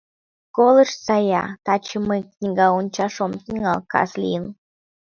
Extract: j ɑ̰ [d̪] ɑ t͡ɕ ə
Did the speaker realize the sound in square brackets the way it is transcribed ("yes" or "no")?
no